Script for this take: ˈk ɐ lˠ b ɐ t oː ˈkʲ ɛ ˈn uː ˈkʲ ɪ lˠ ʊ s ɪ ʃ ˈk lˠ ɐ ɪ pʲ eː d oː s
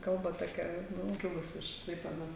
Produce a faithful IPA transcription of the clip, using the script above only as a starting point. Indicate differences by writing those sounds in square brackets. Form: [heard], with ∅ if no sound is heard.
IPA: ˈk ɐ lˠ b ɐ t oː ˈkʲ ɛ ˈn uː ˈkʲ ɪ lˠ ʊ s ɪ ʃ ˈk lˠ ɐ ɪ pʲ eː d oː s